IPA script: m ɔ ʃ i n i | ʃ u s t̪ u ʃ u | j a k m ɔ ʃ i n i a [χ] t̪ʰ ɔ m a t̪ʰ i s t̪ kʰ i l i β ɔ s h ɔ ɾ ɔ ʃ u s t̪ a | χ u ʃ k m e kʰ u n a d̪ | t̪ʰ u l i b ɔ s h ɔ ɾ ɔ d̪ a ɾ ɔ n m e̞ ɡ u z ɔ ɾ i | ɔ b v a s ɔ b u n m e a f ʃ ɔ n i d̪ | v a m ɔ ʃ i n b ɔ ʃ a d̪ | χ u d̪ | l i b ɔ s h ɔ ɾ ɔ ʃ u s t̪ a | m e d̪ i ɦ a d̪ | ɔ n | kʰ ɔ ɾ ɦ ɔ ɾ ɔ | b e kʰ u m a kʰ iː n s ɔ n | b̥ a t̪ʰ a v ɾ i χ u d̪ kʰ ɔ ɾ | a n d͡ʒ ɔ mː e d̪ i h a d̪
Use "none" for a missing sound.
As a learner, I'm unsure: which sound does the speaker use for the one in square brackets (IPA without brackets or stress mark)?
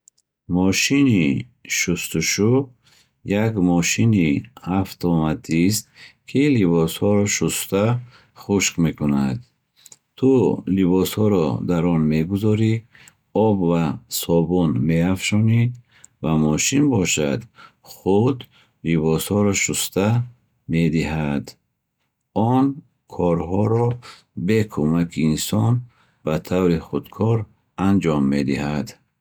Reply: f